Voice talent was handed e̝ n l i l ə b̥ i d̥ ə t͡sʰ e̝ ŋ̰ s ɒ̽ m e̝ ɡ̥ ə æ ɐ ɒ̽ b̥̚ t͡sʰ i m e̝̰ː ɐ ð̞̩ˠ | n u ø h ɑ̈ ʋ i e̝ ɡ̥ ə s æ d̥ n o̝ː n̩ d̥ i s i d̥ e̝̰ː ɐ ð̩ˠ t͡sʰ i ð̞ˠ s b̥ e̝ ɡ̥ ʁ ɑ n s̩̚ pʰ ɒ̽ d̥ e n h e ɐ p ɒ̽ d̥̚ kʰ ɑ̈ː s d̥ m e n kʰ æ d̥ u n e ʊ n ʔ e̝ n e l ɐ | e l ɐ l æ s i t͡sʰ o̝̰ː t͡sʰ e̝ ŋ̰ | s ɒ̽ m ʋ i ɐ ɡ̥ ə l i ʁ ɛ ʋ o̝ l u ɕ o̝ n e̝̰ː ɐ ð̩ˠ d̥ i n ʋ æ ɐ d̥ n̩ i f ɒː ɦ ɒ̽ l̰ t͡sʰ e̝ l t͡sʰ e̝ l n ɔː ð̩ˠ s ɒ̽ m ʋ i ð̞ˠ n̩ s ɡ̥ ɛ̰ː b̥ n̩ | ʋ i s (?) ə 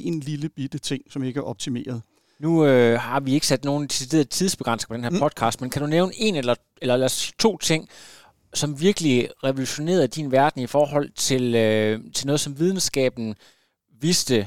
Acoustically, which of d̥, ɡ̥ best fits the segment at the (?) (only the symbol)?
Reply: d̥